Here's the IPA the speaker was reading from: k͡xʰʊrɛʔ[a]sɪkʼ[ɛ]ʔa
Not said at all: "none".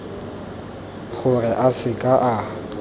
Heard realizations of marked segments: a, a

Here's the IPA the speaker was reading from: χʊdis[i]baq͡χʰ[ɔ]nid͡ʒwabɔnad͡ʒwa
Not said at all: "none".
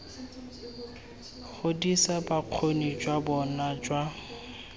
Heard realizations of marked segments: a, o

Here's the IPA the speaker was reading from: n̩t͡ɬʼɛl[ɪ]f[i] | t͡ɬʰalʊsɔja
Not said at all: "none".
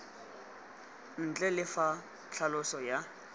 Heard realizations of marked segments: ɪ, a

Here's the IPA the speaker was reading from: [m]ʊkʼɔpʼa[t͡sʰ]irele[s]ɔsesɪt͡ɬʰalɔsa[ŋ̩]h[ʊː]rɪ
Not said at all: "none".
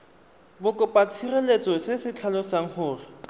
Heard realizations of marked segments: b, t͡sʰ, t͡s, ŋ̩, ʊː

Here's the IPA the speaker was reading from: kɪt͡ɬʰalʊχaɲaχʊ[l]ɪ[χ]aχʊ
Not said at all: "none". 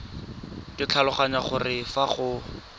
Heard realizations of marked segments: r, f

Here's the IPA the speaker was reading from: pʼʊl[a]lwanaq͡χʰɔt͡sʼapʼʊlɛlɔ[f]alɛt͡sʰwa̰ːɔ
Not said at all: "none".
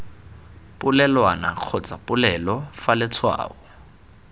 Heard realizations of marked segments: ɛ, f

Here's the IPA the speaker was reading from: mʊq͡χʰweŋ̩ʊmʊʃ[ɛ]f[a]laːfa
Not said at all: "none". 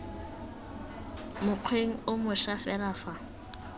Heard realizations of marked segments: a, ɛ

